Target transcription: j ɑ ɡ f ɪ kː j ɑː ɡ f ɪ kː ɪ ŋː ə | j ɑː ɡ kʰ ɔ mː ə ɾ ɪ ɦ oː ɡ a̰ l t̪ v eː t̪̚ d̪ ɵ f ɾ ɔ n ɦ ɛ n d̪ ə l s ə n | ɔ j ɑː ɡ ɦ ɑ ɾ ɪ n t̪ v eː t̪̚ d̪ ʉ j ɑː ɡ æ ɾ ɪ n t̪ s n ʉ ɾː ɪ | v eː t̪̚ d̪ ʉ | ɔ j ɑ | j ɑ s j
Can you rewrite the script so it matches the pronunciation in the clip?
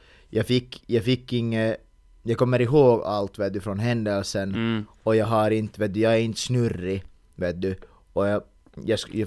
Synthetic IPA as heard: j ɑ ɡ f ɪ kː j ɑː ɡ f ɪ kː ɪ ŋː ə | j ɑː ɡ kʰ ɔ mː ə ɾ ɪ ɦ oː ɡ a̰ l t̪ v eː t̪̚ d̪ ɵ f ɾ ɔ n ɦ ɛ n d̪ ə l s ə n | ɔ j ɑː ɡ ɦ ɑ ɾ ɪ n t̪ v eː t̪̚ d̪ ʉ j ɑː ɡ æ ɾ ɪ n t̪ s n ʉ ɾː ɪ | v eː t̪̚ d̪ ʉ | ɔ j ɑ | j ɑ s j